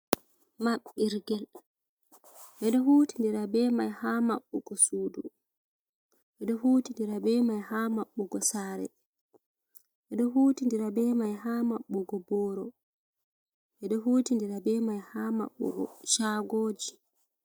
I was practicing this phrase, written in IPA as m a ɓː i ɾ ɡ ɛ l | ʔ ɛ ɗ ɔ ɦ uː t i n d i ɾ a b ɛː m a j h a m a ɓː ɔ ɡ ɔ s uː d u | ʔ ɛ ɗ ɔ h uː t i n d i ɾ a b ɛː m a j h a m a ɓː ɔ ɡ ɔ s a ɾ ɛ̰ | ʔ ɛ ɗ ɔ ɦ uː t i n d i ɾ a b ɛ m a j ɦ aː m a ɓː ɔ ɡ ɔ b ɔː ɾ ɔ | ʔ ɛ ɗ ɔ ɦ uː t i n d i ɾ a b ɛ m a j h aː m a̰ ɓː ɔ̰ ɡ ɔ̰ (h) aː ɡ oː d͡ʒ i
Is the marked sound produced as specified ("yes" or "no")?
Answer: no